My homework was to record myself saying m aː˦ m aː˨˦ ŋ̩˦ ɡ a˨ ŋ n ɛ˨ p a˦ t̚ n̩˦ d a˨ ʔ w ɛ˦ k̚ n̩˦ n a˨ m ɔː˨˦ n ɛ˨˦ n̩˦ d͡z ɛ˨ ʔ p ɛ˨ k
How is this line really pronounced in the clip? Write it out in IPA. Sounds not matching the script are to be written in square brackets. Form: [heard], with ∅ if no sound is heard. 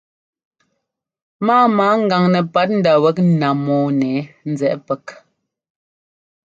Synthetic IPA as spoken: m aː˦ m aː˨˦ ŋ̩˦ ɡ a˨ ŋ n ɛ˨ p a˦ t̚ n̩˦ d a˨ [∅] w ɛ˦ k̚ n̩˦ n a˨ m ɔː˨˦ n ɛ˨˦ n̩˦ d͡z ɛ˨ ʔ p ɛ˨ k